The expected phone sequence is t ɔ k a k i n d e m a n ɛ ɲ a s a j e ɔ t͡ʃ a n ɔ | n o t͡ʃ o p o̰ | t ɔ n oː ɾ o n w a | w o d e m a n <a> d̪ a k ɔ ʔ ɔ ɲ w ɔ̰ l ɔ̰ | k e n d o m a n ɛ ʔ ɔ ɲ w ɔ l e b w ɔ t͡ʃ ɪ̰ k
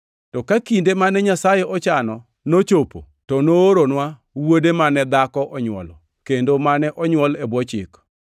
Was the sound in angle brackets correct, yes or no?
no